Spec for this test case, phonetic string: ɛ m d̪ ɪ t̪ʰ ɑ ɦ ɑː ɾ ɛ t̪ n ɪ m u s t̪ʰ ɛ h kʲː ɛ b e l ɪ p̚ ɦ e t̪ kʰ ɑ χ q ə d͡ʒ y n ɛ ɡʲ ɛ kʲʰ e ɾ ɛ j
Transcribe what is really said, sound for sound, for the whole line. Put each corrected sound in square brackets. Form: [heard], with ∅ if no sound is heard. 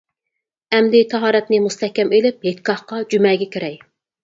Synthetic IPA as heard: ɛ m d̪ ɪ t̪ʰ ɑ ɦ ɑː ɾ ɛ t̪ n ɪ m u s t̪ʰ ɛ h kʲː ɛ [m] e l ɪ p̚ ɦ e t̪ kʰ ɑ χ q [ɑ] d͡ʒ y [m] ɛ ɡʲ ɛ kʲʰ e ɾ ɛ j